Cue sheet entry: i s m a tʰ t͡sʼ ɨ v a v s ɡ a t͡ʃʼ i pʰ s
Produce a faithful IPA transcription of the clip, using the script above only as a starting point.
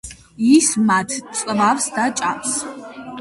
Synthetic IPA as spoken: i s m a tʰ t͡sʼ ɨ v a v s d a t͡ʃʼ a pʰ s